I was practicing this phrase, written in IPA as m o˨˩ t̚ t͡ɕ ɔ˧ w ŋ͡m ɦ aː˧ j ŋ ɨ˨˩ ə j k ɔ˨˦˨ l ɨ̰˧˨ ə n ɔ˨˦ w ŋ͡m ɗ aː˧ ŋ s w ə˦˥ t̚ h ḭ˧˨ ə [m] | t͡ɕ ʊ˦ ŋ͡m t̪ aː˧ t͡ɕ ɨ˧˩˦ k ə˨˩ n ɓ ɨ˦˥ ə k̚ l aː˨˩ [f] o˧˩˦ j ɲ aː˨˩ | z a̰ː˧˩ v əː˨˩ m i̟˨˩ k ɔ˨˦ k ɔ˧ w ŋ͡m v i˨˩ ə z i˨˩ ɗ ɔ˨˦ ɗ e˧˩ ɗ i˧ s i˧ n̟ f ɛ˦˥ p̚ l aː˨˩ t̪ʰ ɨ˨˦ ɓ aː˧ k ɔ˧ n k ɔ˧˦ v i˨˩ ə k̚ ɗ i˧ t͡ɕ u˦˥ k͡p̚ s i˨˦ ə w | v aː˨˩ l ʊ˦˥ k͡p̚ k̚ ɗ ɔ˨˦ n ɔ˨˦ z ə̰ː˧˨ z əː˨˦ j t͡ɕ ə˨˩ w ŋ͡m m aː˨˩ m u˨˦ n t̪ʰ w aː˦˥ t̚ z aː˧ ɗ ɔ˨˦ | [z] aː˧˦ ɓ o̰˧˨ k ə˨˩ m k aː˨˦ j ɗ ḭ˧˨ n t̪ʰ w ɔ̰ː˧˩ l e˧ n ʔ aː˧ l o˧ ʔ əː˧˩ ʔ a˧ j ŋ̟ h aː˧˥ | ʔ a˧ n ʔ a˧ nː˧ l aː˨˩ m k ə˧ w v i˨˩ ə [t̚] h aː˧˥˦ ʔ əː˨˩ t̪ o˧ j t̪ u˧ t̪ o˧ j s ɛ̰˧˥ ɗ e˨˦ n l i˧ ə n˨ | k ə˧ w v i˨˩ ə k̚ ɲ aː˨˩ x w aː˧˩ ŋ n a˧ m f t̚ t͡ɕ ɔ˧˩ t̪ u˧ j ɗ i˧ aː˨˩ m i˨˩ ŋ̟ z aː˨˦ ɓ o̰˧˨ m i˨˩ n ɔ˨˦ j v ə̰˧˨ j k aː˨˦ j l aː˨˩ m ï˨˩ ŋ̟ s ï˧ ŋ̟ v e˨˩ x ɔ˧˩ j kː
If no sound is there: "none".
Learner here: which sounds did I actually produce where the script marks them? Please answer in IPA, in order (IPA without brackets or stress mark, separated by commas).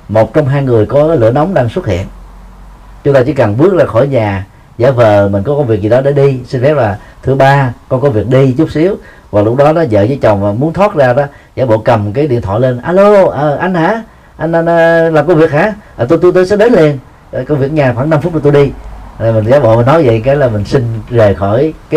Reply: n, x, z, k̚